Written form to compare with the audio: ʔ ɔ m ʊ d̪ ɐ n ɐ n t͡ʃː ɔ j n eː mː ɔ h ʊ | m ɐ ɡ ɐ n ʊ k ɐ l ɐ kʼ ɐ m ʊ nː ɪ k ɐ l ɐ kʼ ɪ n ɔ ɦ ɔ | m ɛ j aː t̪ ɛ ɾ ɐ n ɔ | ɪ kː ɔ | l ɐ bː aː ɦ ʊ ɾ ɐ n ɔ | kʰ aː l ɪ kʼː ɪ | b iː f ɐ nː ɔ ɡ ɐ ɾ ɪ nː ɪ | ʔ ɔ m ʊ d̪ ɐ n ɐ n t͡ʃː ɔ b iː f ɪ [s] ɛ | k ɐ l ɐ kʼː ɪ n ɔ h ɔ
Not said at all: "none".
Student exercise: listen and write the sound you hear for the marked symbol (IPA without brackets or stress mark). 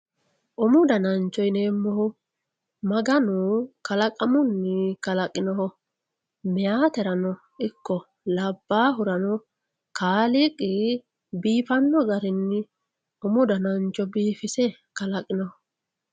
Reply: s